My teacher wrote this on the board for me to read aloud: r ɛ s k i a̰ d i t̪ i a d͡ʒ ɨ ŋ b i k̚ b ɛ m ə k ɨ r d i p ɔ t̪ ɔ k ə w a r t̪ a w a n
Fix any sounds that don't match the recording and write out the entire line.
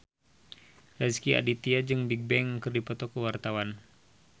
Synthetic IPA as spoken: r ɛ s k i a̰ d i t̪ i a d͡ʒ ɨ ŋ b i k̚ b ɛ ŋ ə k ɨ r d i p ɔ t̪ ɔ k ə w a r t̪ a w a n